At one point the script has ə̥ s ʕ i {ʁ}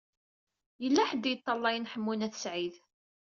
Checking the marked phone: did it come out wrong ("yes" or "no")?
yes